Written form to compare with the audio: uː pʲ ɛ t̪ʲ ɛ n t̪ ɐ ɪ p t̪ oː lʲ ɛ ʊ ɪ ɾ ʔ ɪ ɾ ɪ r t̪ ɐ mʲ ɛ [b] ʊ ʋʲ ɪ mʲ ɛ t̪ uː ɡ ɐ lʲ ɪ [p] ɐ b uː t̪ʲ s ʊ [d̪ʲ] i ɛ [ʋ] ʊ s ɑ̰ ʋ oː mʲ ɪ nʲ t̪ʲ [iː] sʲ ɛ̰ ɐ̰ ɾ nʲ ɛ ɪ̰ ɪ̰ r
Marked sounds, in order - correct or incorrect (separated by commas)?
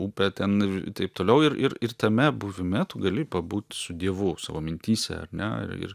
correct, correct, correct, correct, correct